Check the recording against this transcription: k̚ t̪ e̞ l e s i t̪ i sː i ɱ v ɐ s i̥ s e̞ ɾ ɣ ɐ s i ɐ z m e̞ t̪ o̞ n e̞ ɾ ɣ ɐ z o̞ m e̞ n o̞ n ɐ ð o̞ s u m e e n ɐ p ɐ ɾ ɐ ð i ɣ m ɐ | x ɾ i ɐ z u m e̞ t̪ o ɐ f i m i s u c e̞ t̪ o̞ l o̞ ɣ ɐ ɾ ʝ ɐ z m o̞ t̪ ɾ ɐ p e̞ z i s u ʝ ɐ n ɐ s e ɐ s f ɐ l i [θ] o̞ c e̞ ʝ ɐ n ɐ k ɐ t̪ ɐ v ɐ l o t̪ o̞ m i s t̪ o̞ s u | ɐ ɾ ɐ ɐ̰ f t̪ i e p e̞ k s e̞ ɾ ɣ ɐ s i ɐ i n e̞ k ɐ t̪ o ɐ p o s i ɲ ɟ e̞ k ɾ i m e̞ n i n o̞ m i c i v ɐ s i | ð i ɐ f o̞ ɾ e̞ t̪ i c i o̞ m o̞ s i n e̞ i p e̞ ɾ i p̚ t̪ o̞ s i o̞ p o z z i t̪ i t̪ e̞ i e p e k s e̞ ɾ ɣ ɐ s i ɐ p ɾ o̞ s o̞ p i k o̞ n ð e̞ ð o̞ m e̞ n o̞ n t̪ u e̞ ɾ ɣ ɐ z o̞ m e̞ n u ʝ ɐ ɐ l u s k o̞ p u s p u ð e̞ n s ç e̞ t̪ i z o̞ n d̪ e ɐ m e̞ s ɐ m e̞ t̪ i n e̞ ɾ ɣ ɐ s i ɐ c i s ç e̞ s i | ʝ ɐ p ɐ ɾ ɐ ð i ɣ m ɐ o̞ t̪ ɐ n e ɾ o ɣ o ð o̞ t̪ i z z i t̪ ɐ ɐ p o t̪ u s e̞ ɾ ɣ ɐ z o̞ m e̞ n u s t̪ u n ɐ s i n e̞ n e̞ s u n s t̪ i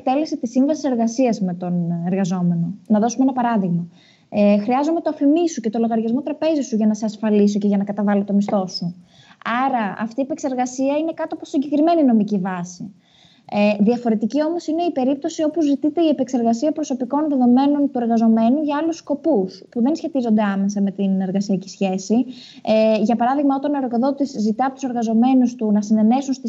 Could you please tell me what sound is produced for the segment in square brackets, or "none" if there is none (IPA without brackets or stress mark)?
s